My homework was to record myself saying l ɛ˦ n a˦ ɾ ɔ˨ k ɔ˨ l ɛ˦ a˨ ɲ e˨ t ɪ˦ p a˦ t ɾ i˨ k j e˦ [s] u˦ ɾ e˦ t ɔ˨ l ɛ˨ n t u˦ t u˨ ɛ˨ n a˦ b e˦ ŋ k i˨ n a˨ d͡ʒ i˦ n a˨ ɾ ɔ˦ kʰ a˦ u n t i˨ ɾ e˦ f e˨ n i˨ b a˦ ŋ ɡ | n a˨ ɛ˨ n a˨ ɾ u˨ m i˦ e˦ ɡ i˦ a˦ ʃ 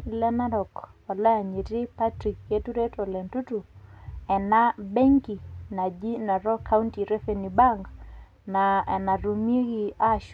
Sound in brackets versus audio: incorrect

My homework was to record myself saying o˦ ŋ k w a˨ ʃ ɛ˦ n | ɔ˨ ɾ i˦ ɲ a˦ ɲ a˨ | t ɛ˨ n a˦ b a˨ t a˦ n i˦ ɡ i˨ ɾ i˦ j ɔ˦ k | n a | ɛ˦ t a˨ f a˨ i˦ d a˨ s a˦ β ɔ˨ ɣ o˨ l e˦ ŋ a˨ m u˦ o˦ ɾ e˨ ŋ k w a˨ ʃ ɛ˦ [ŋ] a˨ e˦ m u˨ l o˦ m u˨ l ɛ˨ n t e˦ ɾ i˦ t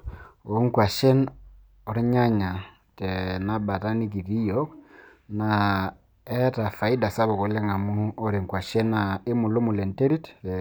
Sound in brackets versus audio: incorrect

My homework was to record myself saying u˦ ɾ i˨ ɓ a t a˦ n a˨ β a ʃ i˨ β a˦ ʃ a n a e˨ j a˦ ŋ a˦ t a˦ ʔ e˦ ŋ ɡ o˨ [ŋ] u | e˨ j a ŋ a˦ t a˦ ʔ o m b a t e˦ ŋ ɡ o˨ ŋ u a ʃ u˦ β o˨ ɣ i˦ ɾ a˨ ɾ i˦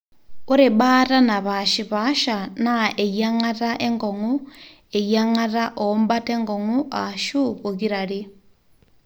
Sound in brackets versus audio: correct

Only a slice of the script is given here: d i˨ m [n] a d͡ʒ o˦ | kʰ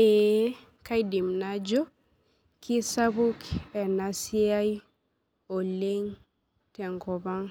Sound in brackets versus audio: correct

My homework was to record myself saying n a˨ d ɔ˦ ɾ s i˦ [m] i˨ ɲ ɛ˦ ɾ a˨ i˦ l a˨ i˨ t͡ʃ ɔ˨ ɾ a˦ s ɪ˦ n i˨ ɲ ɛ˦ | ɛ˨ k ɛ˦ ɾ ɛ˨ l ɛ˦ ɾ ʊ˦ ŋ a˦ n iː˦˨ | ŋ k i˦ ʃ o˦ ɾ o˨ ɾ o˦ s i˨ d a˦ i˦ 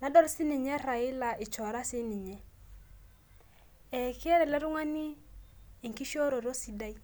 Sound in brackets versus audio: incorrect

